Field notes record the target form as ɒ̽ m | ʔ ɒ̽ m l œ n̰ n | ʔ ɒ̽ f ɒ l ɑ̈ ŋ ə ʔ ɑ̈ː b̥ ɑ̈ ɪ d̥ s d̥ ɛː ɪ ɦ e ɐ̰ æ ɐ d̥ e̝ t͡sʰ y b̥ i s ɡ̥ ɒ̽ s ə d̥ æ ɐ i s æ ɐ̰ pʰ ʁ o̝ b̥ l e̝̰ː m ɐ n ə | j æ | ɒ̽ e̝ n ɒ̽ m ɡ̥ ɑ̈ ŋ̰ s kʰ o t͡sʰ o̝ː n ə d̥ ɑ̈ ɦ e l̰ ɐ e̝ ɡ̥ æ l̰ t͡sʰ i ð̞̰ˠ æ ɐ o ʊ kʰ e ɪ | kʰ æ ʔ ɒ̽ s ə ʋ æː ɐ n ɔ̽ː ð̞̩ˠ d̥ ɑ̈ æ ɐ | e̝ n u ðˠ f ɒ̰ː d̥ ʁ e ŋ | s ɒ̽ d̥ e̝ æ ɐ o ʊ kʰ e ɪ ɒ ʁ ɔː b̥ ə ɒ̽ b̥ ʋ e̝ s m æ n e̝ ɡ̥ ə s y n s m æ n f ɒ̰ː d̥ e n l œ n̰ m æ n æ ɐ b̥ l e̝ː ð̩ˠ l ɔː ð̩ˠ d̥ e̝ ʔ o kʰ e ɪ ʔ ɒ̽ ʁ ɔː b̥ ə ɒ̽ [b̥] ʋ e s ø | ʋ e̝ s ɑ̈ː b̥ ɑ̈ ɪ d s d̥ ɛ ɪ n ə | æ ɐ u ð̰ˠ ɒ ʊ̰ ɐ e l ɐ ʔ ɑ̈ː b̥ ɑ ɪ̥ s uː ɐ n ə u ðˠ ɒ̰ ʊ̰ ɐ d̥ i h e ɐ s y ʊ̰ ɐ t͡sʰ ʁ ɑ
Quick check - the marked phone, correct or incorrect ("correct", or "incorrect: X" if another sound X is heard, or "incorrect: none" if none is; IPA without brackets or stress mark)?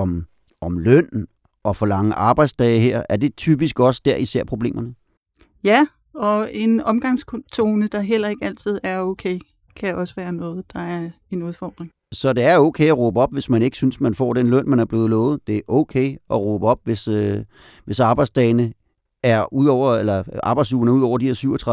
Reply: correct